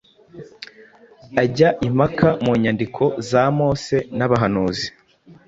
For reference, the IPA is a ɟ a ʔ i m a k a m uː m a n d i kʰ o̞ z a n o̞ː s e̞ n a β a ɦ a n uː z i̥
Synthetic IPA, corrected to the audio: a ɟ a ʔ i m a k a m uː ɲ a n d i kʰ o̞ z a m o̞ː s e̞ n a β a ɦ a n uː z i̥